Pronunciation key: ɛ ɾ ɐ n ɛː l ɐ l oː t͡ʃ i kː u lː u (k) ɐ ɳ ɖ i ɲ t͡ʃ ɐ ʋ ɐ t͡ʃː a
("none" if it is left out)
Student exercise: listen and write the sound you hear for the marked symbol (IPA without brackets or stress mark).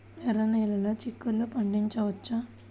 p